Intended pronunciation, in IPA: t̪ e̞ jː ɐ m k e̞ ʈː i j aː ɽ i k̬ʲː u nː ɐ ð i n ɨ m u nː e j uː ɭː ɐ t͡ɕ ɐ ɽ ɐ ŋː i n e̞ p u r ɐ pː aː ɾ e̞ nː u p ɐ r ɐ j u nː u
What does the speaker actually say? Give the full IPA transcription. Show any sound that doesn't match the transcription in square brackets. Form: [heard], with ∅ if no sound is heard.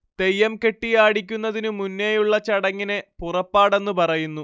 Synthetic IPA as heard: t̪ e̞ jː ɐ m k e̞ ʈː i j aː ɽ i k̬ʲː u nː ɐ ð i n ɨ m u nː e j [u] ɭː ɐ t͡ɕ ɐ ɽ ɐ ŋː i n e̞ p u r ɐ pː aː [ɽ] e̞ nː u p ɐ r ɐ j u nː u